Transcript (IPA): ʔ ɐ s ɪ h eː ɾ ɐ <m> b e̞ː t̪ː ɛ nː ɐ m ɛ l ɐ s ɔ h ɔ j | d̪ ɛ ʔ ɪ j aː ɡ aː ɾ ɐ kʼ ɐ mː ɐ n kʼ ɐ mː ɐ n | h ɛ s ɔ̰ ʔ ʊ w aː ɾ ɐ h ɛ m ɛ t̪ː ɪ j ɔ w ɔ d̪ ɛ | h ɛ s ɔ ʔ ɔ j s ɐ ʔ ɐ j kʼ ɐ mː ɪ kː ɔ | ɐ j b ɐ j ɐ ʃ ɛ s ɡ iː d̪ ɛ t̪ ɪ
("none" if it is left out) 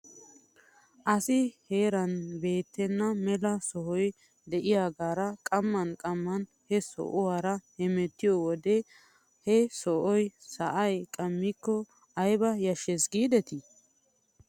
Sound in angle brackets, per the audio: n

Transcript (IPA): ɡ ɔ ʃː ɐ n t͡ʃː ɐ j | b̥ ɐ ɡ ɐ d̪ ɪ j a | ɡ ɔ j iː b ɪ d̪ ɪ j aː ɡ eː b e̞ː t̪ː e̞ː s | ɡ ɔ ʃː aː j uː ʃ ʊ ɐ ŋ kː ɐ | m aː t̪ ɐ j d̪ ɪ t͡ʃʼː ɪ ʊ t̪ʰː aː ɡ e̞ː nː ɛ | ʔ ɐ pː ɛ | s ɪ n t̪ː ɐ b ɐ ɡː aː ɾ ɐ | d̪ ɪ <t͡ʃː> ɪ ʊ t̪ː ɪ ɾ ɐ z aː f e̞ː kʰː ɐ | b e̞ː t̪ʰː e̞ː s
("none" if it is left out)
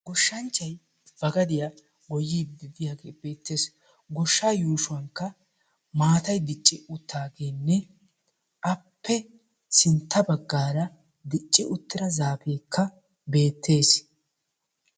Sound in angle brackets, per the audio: t͡ʃʼː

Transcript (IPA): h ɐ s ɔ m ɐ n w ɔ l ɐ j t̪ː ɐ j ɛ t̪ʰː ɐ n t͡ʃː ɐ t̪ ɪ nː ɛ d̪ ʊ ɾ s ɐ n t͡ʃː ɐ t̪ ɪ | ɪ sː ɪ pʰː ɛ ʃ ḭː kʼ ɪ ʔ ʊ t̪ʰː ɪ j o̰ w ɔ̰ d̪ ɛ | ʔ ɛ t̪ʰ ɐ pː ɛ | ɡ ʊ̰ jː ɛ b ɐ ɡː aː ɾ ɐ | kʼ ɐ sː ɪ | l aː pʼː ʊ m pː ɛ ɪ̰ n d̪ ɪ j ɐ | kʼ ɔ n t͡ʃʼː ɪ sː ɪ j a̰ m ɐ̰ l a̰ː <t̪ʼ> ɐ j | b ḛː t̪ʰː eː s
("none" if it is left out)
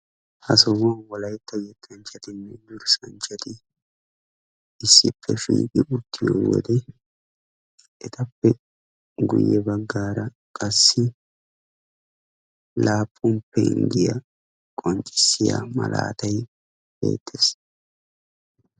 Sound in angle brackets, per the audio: t̪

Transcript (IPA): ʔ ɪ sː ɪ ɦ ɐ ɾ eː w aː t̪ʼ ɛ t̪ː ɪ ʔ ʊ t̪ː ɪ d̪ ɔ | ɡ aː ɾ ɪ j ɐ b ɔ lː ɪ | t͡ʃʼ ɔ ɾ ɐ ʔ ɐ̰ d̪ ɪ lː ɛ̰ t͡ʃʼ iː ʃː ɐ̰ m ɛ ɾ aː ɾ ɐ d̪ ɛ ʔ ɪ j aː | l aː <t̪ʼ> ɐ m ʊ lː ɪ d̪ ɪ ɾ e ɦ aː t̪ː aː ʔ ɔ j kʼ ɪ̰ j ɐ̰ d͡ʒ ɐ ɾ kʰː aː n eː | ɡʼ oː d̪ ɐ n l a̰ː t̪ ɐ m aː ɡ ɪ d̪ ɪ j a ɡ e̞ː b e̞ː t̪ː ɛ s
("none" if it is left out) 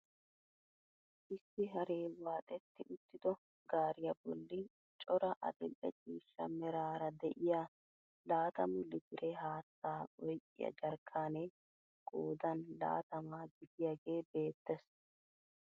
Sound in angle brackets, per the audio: t̪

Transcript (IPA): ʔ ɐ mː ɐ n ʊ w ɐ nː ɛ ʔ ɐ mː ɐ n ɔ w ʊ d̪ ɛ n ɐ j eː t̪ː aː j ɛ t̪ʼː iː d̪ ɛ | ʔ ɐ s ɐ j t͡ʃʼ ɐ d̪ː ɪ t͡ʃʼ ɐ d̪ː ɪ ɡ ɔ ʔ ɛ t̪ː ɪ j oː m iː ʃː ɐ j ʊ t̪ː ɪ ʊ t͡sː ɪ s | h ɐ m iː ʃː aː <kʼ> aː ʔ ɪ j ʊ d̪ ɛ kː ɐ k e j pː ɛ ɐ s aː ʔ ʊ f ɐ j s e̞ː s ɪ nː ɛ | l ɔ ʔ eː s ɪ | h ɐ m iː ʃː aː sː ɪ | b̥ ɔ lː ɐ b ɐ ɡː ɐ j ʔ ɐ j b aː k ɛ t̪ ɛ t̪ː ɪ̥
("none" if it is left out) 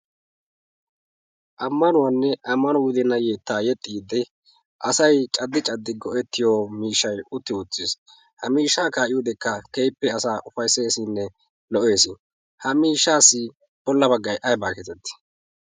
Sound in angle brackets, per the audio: k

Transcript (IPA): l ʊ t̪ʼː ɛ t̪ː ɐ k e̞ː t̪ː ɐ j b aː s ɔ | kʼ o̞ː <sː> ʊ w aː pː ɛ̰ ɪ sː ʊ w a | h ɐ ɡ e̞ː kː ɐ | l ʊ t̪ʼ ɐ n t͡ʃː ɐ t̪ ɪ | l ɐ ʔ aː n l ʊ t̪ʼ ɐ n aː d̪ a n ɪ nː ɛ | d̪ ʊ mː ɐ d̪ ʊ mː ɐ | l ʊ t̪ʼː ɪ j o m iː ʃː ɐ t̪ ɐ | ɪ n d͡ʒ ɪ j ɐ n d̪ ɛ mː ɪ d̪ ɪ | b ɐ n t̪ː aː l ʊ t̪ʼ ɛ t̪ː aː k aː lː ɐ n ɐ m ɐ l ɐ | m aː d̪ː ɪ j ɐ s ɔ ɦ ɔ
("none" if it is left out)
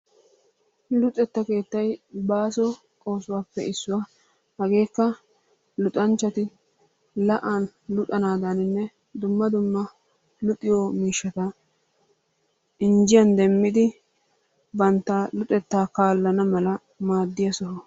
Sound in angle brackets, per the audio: s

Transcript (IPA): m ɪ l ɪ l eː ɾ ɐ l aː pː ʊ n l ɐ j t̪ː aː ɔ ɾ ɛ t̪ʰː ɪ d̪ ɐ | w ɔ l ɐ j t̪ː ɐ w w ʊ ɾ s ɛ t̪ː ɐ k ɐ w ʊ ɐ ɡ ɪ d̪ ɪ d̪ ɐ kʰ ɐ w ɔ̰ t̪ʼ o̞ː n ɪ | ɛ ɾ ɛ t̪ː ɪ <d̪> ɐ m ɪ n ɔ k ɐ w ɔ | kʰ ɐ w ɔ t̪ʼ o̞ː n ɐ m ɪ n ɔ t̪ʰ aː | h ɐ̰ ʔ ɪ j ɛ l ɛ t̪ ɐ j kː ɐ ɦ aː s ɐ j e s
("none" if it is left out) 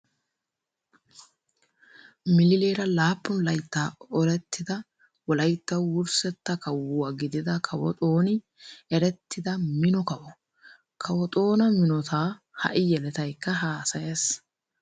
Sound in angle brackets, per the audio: d̪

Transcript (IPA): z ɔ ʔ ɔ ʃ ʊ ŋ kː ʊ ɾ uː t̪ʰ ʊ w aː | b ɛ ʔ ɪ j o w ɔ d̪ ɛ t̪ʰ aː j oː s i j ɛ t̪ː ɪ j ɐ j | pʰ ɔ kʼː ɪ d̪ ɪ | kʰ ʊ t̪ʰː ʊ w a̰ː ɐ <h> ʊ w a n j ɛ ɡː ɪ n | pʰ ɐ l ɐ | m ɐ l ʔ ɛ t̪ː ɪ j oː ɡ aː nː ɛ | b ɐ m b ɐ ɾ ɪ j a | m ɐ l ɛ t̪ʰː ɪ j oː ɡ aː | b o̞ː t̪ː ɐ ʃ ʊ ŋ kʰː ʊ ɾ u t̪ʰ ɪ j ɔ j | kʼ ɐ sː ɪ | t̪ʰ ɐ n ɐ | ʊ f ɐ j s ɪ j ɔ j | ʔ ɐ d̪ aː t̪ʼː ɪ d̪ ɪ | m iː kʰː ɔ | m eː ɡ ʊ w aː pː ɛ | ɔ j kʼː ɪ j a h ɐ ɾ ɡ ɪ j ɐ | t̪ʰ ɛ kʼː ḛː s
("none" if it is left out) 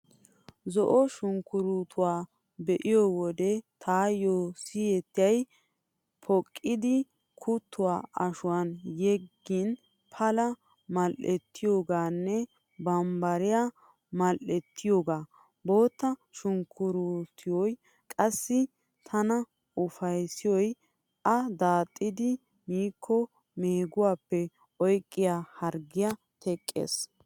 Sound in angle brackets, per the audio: ʃ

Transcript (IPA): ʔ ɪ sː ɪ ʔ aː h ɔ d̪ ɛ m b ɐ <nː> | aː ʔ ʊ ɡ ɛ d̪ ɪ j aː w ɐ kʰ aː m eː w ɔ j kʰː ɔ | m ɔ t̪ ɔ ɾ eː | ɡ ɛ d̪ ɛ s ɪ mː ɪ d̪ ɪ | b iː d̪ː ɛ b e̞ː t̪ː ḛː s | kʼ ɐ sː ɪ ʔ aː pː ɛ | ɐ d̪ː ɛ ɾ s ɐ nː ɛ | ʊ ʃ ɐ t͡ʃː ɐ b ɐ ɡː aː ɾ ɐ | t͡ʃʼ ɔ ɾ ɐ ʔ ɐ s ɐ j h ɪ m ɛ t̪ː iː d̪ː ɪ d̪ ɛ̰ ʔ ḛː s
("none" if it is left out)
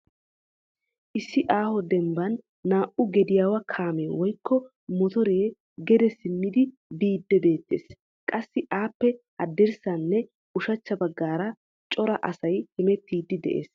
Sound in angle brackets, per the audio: nː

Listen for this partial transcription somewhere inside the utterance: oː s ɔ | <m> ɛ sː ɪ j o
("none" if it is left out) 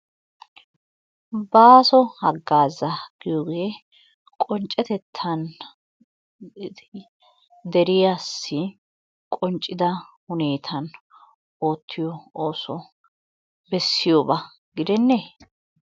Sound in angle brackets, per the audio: b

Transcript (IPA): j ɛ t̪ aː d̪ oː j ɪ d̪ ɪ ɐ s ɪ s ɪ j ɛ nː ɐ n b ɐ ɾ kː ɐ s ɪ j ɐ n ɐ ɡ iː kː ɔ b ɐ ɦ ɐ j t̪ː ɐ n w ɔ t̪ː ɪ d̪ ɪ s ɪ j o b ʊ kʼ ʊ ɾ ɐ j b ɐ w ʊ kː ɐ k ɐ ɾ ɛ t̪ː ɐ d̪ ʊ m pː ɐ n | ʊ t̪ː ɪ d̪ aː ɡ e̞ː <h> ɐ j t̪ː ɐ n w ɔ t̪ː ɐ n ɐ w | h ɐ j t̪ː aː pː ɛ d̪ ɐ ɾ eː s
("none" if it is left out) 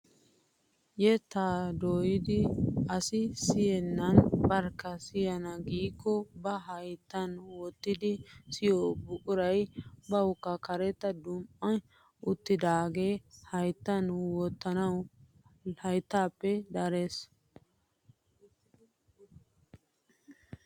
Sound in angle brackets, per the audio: h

